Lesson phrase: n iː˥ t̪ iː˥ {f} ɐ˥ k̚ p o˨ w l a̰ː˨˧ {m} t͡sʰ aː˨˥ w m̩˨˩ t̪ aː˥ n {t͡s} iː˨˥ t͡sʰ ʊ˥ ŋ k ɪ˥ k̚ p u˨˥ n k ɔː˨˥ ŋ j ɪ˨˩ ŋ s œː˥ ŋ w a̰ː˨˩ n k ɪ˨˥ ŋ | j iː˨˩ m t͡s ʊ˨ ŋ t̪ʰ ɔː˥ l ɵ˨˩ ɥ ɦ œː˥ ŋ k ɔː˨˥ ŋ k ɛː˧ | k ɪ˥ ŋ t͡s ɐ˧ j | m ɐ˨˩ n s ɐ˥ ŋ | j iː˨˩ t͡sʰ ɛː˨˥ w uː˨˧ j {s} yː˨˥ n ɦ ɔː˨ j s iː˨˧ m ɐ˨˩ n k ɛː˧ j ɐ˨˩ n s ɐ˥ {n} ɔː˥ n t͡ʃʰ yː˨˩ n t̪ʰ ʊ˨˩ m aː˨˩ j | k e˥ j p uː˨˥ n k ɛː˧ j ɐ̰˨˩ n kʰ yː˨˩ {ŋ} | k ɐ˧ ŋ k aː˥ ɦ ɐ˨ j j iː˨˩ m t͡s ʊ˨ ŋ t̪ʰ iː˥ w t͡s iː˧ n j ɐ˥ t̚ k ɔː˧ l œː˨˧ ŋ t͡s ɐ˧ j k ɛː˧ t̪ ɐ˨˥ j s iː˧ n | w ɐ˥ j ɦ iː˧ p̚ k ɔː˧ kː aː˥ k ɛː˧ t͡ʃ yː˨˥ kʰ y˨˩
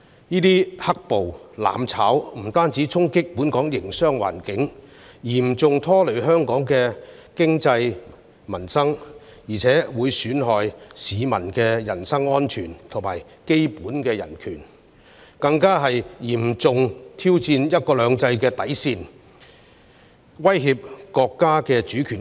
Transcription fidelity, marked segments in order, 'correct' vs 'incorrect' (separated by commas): incorrect, correct, correct, correct, incorrect, incorrect